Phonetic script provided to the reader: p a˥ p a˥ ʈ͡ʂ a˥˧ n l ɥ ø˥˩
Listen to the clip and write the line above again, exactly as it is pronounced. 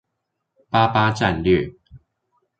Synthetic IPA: p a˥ p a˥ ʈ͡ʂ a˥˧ n l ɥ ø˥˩